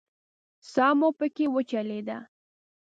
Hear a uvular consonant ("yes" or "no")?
no